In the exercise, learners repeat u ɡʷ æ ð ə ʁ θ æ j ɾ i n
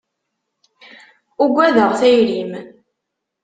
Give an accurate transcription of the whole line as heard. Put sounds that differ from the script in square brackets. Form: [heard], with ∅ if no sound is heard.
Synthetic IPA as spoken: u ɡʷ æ ð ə ʁ θ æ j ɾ i [m]